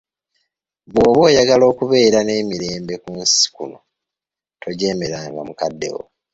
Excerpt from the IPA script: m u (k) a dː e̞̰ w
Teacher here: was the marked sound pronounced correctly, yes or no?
yes